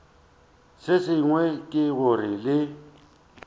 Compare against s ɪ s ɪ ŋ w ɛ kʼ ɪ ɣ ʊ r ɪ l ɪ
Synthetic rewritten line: s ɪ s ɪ ŋ w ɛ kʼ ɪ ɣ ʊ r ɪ l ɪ